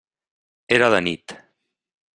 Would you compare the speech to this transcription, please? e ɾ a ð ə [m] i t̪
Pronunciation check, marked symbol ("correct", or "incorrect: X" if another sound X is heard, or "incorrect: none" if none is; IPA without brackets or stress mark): incorrect: n